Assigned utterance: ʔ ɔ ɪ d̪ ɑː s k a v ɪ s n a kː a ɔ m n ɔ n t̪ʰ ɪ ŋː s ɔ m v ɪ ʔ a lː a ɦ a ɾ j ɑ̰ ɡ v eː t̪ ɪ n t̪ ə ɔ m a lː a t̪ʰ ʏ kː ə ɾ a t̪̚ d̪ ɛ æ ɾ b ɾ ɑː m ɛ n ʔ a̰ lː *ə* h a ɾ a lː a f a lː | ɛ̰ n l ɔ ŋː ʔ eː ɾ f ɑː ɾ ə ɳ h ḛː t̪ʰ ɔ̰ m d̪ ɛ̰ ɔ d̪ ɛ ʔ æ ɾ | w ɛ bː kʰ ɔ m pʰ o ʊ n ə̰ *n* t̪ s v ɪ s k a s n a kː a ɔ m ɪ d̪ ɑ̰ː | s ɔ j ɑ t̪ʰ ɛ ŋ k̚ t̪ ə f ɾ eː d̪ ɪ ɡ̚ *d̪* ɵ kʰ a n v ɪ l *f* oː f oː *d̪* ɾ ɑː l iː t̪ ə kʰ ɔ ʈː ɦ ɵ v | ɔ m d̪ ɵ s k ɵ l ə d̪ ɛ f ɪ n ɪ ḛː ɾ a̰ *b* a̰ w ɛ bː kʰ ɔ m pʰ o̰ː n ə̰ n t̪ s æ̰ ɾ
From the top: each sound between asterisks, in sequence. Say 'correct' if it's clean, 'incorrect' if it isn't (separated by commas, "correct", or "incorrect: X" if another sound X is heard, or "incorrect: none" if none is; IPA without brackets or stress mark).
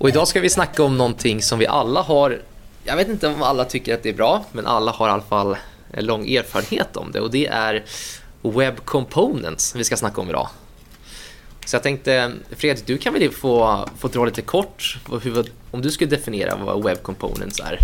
incorrect: a, correct, correct, correct, correct, incorrect: v